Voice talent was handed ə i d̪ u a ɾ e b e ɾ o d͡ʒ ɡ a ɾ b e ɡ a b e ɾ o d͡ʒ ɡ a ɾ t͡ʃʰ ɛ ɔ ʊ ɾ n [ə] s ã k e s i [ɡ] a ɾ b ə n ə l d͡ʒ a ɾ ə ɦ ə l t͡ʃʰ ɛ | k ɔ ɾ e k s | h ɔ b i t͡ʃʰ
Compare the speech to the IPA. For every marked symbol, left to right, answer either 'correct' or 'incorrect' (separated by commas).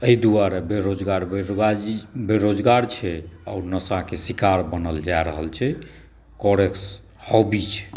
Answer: correct, incorrect